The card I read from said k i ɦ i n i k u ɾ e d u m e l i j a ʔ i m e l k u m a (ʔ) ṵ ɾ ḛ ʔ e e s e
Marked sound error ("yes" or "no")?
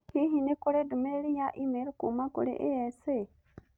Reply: yes